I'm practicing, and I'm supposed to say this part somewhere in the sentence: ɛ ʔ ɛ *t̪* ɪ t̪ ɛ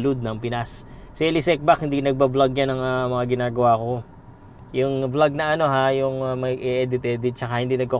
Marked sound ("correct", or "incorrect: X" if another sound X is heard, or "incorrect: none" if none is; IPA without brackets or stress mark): incorrect: d̪